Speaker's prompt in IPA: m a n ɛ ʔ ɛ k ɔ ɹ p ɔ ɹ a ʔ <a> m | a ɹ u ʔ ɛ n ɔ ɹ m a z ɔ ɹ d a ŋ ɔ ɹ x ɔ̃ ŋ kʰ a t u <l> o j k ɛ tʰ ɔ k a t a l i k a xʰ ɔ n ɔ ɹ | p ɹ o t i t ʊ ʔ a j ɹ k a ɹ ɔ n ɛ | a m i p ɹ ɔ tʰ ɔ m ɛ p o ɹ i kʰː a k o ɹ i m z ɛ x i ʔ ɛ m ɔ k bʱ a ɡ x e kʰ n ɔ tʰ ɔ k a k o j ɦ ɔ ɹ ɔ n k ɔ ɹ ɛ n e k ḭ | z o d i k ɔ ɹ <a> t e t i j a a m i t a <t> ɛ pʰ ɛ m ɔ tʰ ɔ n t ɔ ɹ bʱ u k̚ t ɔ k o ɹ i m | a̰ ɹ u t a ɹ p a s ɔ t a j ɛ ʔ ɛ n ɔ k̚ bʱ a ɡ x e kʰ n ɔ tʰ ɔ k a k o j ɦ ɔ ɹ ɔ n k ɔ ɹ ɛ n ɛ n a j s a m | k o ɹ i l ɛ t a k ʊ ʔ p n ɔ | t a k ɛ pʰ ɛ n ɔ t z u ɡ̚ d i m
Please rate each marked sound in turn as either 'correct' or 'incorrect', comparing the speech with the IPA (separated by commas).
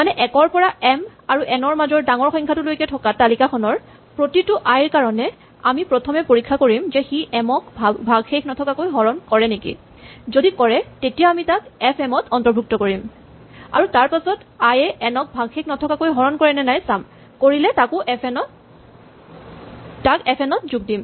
incorrect, correct, incorrect, incorrect